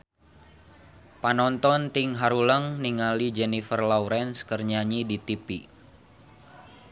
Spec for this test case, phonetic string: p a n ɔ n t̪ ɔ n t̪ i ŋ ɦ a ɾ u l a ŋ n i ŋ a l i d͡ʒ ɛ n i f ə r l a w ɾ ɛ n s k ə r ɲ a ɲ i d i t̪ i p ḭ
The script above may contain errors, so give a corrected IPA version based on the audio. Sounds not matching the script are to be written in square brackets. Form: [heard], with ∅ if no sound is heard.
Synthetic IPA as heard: p a n ɔ n t̪ ɔ n t̪ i ŋ ɦ a ɾ u l [ə] ŋ n i ŋ a l i d͡ʒ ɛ n i f ə r l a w ɾ ɛ n s k ə r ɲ a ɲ i d i t̪ i p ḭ